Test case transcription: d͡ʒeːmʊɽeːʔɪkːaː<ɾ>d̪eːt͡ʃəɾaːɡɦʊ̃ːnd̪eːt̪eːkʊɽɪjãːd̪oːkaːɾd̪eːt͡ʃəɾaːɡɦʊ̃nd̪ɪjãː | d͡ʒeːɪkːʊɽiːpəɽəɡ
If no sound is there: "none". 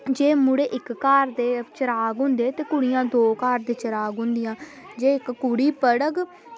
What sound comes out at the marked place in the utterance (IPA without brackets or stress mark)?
ɾ